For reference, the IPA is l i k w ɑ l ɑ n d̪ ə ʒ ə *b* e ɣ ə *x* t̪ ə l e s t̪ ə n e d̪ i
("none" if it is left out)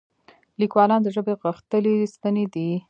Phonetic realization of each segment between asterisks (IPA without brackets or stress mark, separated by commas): b, x